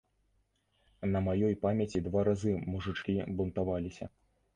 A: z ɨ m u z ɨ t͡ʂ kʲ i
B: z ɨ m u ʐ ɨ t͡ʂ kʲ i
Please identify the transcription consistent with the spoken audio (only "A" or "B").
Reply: B